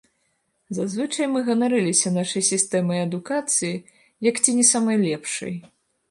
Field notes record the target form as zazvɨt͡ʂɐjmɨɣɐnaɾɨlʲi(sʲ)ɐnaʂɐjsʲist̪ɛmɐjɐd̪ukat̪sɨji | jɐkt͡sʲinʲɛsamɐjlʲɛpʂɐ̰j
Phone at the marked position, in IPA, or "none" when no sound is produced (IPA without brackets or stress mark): sʲ